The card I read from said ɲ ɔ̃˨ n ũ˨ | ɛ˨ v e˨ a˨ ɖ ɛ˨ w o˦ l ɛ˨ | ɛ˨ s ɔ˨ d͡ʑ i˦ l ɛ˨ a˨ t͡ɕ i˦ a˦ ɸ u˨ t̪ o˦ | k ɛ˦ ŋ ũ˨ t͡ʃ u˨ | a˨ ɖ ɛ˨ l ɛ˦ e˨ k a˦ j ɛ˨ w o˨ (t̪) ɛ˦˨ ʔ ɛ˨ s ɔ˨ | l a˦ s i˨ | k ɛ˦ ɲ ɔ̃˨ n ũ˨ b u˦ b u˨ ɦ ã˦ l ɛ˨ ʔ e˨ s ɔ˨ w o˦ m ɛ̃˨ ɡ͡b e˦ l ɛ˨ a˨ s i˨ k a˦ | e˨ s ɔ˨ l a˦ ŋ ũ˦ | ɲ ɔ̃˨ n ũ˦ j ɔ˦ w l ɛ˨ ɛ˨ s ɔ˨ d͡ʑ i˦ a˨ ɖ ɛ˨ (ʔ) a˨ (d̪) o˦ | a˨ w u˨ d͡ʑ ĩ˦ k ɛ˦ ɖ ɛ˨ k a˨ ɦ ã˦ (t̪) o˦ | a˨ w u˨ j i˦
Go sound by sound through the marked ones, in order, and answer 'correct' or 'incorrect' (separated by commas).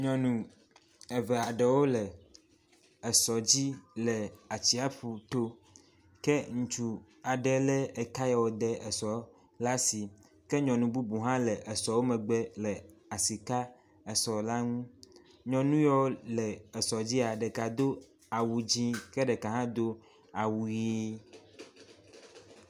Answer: incorrect, incorrect, correct, incorrect